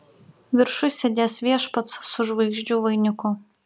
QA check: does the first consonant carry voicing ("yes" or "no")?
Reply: yes